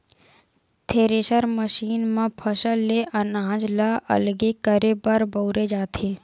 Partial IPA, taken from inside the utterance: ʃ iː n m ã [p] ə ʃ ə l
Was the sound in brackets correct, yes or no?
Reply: no